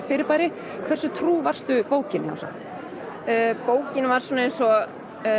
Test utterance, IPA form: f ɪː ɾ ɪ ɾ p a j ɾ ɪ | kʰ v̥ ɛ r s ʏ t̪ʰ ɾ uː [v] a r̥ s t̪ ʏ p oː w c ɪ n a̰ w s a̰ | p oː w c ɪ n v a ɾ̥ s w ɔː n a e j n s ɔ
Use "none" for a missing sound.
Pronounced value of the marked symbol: v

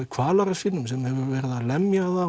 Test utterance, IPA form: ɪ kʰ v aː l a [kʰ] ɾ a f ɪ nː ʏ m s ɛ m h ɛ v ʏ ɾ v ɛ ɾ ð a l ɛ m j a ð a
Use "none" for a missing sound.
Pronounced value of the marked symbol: none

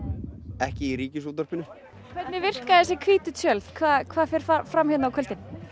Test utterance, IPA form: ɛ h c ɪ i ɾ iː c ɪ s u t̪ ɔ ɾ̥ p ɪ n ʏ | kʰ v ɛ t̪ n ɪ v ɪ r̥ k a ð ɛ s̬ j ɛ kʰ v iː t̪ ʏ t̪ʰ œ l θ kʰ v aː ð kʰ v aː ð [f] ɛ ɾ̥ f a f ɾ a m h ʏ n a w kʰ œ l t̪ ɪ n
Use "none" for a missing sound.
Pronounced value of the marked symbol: f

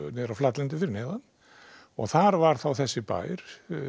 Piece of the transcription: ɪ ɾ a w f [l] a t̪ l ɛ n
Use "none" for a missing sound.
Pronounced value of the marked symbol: l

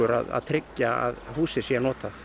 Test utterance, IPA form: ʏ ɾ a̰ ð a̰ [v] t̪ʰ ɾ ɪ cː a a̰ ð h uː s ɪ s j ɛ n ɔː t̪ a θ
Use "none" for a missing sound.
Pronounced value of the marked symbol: ð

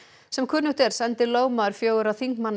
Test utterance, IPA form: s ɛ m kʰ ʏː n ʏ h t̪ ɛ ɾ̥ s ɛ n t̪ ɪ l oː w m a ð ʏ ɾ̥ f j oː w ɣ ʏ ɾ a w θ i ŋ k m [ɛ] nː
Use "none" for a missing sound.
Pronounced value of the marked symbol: a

